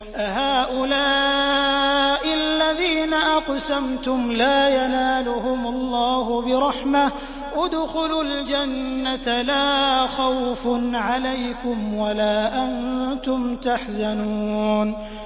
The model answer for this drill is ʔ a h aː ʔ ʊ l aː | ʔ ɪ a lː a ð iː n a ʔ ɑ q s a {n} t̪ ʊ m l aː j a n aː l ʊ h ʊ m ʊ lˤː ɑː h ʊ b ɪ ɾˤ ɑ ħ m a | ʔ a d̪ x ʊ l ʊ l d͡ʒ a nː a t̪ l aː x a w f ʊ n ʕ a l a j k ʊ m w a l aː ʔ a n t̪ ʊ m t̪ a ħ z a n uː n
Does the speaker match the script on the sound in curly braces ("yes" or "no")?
no